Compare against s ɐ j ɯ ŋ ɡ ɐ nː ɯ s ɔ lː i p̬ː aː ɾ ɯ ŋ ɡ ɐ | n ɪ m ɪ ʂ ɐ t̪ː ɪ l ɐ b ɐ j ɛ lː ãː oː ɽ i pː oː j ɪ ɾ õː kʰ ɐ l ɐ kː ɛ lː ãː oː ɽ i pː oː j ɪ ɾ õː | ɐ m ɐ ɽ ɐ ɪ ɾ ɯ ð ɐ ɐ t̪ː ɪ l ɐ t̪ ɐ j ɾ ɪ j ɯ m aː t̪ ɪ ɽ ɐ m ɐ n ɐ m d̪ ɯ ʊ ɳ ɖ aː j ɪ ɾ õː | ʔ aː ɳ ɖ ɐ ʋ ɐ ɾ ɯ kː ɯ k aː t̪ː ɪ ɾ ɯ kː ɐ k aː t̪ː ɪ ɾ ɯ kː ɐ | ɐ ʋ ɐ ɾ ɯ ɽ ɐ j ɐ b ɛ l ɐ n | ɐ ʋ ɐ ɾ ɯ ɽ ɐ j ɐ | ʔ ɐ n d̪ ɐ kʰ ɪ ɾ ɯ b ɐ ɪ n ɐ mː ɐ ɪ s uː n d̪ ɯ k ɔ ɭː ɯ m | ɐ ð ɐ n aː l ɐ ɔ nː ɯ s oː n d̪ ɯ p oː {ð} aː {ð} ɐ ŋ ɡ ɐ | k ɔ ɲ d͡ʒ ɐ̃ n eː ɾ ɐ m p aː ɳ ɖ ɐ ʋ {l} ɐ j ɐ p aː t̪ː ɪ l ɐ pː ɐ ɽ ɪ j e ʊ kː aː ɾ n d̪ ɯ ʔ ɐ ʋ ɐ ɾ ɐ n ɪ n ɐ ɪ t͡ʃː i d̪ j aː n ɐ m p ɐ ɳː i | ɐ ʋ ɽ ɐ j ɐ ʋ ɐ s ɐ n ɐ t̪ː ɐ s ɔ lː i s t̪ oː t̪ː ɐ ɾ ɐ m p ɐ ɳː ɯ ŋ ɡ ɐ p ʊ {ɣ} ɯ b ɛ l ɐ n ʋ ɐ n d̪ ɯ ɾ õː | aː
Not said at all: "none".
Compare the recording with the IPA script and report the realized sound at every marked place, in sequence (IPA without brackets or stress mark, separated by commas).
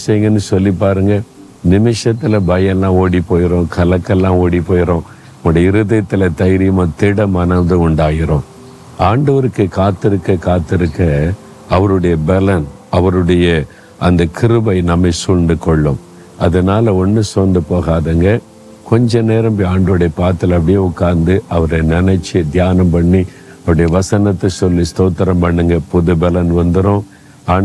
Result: ɣ, ð, ɽ, ð